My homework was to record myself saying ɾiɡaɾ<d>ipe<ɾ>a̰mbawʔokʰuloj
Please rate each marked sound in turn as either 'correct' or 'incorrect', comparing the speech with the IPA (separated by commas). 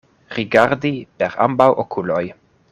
correct, correct